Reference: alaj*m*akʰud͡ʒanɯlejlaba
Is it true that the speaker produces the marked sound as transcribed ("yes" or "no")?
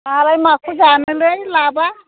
yes